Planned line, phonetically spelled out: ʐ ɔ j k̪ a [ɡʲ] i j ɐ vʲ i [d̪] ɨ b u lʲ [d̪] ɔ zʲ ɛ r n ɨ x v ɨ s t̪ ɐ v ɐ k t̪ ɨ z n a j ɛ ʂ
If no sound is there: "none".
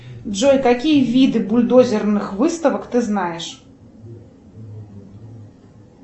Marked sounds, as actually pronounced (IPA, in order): kʲ, d̪, d̪

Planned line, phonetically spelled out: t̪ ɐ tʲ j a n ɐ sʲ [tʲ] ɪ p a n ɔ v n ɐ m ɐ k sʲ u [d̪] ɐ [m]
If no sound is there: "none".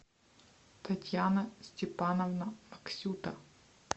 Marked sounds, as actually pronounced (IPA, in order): tʲ, t̪, none

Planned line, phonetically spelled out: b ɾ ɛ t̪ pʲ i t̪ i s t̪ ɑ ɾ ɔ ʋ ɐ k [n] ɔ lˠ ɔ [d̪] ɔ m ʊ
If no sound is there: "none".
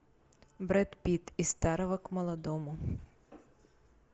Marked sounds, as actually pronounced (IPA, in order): m, d̪

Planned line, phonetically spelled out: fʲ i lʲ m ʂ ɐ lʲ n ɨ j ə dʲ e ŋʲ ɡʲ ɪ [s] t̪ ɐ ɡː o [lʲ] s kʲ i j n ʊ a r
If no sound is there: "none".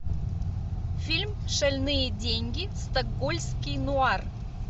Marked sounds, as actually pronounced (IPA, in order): s, lʲ

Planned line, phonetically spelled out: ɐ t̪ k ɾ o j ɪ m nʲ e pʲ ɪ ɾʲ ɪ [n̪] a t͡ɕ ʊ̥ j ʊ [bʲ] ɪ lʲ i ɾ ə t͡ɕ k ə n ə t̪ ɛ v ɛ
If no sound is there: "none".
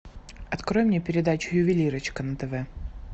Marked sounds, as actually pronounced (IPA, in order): d̪, vʲ

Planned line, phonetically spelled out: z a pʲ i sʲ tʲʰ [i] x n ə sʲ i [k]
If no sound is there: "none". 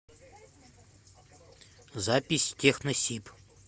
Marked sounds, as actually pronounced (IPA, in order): e, p

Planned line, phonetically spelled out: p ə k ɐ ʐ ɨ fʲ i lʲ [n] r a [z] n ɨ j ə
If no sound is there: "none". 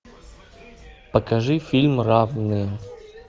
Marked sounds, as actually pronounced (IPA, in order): m, v

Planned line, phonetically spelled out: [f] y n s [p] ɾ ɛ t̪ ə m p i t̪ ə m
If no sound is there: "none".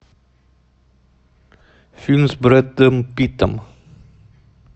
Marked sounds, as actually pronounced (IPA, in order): f, b

